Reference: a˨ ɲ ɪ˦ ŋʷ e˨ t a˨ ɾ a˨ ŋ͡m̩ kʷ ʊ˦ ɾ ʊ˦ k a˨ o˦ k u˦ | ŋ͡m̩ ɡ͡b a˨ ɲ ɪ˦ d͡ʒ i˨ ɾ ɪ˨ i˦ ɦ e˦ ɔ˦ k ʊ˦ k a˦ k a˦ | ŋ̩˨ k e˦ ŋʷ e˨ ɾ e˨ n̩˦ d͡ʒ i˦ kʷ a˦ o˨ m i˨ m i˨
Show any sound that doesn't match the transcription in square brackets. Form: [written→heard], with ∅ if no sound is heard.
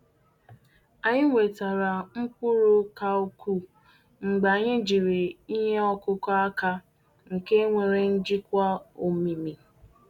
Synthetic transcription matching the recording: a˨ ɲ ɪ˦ ŋʷ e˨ t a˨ ɾ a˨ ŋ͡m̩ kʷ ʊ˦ ɾ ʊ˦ k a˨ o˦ k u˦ | ŋ͡m̩ ɡ͡b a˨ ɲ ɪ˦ d͡ʒ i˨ ɾ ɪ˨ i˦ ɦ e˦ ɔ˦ k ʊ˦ k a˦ k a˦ | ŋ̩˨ k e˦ ŋʷ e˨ ɾ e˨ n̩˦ d͡ʒ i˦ kʷ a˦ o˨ m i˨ m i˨